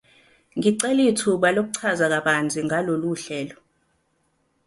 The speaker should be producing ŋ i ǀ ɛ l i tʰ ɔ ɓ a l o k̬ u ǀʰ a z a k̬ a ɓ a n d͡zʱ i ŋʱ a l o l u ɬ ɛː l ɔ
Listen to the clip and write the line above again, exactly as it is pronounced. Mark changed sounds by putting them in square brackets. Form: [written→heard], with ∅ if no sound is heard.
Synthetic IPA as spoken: ŋ i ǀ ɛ l i tʰ [ɔ→u] ɓ a l o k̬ u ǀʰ a z a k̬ a ɓ a n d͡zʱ i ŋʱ a l o l u ɬ ɛː l ɔ